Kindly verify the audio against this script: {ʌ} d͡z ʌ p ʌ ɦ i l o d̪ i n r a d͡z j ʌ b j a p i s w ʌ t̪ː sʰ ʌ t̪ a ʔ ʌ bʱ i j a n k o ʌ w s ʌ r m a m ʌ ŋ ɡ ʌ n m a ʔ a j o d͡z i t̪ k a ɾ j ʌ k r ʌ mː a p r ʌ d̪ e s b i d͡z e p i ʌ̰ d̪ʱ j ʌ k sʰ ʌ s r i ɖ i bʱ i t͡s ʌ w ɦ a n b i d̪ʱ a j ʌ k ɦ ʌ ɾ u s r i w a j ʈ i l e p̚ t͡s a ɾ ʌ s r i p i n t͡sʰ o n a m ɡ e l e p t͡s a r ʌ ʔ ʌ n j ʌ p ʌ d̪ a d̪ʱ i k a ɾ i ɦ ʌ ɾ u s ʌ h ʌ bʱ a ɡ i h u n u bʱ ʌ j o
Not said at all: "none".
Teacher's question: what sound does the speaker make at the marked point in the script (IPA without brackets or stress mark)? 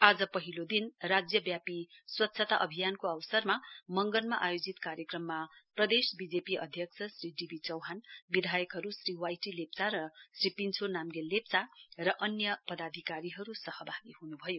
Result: a